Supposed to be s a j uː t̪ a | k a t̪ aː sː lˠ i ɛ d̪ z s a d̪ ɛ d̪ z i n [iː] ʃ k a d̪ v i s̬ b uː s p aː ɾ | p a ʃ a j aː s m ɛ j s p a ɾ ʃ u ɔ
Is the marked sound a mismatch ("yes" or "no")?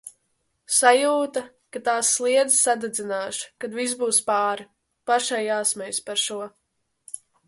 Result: yes